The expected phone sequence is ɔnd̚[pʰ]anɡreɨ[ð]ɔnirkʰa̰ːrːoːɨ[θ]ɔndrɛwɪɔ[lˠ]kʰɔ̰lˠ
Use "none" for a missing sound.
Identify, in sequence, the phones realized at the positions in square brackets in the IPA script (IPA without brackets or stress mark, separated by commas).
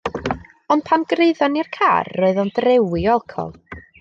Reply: pʰ, ð, ð, lˠ